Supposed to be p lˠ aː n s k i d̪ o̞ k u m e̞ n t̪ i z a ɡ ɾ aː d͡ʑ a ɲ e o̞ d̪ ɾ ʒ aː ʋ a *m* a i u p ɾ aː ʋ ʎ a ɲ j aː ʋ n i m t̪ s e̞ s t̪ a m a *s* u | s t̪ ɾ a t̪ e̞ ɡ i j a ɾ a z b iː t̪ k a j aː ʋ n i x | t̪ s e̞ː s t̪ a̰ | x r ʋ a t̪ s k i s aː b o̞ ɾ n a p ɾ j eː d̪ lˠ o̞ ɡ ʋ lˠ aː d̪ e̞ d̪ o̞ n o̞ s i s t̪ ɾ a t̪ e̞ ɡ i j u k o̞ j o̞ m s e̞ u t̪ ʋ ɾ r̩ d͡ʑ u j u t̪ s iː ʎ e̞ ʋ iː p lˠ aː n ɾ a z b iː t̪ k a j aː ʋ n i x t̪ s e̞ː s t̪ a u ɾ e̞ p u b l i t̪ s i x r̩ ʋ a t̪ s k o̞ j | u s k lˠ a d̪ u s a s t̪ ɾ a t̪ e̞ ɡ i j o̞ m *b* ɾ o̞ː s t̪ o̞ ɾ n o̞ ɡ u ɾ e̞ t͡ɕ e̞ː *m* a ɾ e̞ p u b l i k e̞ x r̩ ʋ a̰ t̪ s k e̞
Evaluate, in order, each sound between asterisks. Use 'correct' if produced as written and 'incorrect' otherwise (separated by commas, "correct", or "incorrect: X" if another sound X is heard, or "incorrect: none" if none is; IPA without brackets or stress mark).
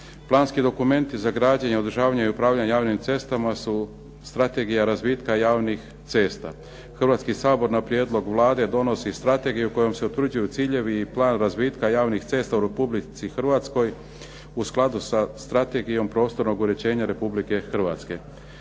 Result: incorrect: ɲ, correct, incorrect: p, incorrect: ɲ